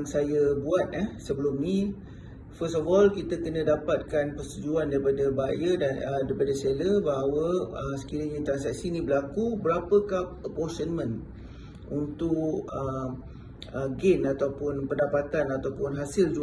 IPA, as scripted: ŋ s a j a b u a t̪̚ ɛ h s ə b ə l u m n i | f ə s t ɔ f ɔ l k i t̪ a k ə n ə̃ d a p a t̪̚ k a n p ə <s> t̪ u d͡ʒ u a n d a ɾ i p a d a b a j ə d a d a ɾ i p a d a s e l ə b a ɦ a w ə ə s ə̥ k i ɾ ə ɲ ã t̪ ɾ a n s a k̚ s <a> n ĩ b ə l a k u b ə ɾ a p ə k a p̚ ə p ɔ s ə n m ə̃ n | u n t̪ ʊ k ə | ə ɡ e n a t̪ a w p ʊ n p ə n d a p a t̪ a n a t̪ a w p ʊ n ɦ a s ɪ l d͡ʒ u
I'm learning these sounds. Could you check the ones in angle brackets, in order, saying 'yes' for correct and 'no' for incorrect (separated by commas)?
yes, no